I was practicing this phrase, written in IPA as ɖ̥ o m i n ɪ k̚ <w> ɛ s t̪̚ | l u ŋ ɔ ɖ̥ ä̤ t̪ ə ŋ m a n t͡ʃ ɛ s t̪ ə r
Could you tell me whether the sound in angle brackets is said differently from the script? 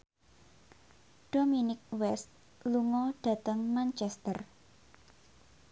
no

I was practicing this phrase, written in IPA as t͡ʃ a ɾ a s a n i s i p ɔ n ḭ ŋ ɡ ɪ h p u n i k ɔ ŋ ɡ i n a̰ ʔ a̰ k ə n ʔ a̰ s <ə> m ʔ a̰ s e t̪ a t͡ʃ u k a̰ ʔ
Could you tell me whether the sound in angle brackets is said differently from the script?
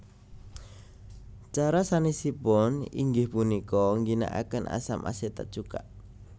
yes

